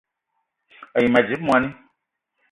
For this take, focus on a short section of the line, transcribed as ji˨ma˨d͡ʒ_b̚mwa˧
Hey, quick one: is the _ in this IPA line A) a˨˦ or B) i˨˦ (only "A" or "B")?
B